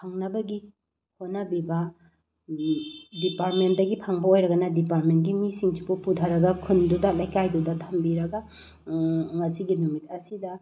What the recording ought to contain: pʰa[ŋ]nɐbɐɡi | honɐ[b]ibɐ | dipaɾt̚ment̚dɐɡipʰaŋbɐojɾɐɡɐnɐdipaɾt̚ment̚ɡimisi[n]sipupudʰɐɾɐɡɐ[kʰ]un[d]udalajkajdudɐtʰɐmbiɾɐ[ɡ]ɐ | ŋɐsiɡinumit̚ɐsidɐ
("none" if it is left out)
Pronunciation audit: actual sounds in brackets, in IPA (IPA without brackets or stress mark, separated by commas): ŋ, b, ŋ, kʰ, d, ɡ